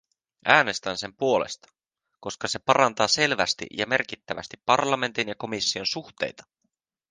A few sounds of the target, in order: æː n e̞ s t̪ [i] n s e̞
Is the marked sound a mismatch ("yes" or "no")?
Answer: yes